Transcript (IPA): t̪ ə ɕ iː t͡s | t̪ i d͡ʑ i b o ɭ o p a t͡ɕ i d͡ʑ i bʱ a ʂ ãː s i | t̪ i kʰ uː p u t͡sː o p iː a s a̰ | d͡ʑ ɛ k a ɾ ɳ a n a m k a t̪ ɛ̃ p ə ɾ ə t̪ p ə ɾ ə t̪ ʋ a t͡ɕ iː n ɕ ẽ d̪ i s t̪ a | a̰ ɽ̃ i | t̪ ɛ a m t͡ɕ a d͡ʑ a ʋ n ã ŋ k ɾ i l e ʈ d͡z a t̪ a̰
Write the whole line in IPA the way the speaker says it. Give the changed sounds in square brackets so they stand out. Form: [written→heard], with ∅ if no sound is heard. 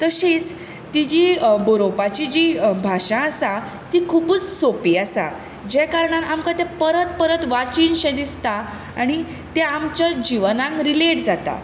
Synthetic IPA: t̪ ə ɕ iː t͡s | t̪ i d͡ʑ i b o [ɭ→ɾ] o p a t͡ɕ i d͡ʑ i bʱ a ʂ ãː s [i→a] | t̪ i kʰ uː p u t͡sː o p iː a s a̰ | d͡ʑ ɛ k a ɾ ɳ a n a m k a t̪ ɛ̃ p ə ɾ ə t̪ p ə ɾ ə t̪ ʋ a t͡ɕ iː n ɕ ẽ d̪ i s t̪ a | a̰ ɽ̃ i | t̪ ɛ a m t͡ɕ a d͡ʑ [a→i] ʋ n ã ŋ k ɾ i l e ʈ d͡z a t̪ a̰